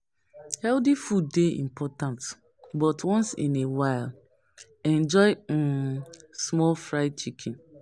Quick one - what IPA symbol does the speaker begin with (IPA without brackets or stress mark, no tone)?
h